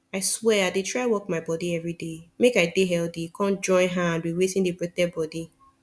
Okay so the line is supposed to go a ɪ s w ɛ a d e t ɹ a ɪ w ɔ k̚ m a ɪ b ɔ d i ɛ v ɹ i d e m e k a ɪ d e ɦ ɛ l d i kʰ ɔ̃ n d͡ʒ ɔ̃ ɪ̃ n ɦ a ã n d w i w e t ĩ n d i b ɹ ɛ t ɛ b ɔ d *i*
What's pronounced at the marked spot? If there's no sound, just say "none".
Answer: i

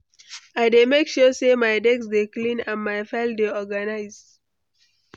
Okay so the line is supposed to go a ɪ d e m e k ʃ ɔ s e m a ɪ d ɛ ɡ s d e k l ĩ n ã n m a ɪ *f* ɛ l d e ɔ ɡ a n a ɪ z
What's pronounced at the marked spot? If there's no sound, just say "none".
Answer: f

